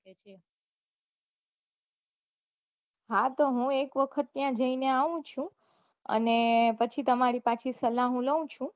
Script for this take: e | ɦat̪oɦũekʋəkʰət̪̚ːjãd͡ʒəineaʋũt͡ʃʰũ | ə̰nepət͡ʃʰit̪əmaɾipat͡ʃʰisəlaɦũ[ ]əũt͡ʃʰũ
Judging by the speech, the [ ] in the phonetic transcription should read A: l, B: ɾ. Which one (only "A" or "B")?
A